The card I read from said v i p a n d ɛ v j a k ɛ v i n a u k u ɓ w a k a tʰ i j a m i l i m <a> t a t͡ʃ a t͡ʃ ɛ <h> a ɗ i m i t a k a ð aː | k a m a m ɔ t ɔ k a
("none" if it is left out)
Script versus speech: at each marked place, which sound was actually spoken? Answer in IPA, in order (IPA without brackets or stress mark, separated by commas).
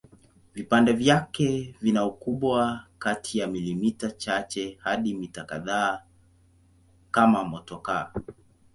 i, h